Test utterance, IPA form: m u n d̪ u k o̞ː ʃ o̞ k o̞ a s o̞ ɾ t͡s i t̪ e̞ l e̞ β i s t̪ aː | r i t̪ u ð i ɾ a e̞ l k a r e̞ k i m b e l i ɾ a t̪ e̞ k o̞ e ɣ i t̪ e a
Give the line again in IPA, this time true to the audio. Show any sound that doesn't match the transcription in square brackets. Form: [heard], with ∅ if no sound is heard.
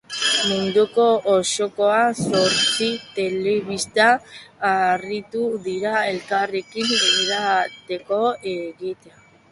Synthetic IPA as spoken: m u n d̪ u k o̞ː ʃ o̞ k o̞ a s o̞ ɾ t͡s i t̪ e̞ l e̞ β i s t̪ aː | r i t̪ u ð i ɾ a e̞ l k a r e̞ k i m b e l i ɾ a t̪ e̞ k o̞ e ɣ i t̪ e a